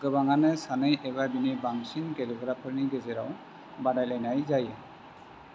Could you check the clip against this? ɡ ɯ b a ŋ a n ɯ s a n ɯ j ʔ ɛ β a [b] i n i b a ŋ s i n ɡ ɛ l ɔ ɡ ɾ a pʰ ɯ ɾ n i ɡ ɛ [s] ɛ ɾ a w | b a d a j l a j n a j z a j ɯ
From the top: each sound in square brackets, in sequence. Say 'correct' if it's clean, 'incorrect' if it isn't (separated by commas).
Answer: correct, incorrect